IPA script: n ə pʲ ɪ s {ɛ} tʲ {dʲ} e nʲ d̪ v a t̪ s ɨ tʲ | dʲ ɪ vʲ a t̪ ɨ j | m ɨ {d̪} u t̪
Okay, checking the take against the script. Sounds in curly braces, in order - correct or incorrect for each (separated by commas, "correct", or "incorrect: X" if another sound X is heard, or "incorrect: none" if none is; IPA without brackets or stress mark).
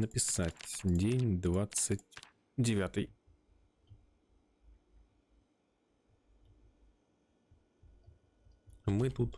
incorrect: a, correct, incorrect: t̪